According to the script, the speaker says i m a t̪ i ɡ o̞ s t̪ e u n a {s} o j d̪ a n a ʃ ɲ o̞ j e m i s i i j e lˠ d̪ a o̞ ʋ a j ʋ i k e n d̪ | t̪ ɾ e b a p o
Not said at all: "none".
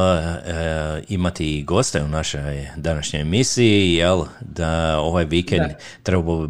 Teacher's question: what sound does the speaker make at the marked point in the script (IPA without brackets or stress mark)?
ʃ